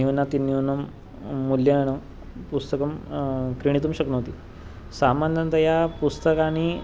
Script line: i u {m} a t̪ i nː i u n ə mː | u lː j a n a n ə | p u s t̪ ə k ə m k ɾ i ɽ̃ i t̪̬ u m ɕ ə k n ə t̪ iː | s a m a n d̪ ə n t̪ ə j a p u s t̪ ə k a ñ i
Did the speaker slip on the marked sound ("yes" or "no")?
yes